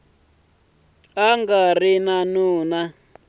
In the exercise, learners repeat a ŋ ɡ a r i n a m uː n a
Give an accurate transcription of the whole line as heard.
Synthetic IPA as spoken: a ŋ ɡ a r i n a n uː n a